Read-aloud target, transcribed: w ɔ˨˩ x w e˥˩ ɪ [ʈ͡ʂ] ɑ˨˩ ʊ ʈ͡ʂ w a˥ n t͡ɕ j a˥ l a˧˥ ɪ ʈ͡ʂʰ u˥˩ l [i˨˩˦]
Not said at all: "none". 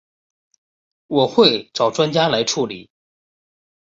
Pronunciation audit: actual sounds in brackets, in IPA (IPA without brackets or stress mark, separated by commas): ʈ͡ʂ, i˨˩˦